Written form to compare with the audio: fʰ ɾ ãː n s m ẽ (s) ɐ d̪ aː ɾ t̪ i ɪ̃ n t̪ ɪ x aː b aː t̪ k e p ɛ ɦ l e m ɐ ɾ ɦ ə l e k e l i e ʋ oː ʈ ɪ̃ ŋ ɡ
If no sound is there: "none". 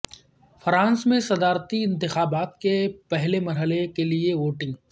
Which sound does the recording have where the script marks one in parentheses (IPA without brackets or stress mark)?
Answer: s